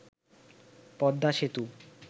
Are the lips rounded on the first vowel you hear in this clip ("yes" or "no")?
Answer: yes